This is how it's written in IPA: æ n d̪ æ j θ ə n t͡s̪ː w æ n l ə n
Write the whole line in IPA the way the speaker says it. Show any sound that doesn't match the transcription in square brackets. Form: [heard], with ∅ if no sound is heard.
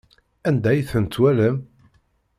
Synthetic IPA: æ n d̪ æ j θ ə n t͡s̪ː w æ [∅] l ə [m]